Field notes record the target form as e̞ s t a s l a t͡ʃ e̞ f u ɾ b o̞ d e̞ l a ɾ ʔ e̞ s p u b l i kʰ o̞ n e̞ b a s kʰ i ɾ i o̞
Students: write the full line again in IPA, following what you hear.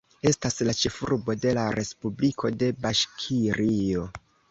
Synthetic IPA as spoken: e̞ s t a s l a t͡ʃ e̞ f u ɾ b o̞ d e̞ l a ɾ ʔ e̞ s p u b l i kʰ o̞ d e̞ b a ʃ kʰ i ɾ i o̞